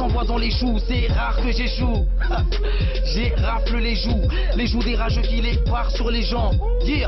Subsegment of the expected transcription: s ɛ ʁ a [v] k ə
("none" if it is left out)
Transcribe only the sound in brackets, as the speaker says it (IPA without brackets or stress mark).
ʁ